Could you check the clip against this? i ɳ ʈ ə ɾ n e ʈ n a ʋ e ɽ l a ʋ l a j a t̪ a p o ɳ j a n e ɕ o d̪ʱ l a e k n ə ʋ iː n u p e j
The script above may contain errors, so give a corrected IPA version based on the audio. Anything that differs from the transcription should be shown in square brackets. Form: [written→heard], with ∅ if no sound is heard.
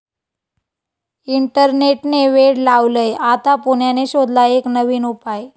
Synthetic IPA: i ɳ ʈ ə ɾ n e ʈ n [a→e] ʋ e ɽ l a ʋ l [a→ə] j a t̪ a p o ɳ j a n e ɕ o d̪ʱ l a e k n ə ʋ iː n u p [e→a] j